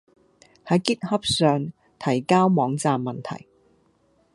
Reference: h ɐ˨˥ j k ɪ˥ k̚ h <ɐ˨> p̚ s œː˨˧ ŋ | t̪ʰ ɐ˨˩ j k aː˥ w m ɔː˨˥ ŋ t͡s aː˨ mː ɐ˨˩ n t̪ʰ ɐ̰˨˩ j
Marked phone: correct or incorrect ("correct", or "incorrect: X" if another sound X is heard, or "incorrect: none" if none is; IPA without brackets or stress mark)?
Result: incorrect: ɐ˥